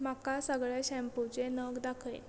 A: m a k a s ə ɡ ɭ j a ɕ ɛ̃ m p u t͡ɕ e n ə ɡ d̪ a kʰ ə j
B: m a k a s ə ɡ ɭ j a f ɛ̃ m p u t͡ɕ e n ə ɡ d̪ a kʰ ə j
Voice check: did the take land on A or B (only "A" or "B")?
A